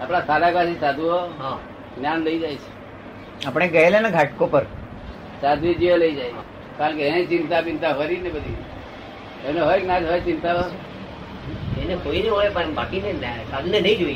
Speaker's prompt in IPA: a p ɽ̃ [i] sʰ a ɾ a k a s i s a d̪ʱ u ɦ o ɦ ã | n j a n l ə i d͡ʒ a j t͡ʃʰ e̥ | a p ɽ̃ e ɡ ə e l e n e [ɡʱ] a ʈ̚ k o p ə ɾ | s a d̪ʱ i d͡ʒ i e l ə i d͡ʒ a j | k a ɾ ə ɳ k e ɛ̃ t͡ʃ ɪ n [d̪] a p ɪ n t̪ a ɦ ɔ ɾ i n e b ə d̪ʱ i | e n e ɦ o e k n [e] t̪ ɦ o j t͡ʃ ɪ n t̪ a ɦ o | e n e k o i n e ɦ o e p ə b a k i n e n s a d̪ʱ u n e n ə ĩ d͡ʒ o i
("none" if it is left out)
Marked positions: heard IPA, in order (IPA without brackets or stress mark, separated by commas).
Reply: a, ɡʱ, t̪, a